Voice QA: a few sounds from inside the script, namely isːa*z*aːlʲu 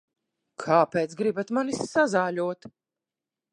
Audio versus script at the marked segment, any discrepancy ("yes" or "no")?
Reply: no